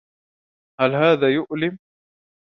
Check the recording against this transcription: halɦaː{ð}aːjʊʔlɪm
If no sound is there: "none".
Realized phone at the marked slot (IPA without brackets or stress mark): ð